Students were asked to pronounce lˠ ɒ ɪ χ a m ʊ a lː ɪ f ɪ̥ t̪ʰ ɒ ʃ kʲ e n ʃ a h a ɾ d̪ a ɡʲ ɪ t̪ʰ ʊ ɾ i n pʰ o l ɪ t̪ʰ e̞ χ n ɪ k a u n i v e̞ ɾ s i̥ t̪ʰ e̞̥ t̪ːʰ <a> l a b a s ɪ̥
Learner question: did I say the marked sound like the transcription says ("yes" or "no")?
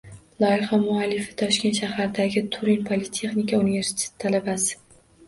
yes